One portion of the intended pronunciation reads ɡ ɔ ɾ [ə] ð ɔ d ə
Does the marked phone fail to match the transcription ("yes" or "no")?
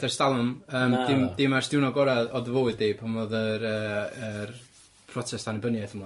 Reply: yes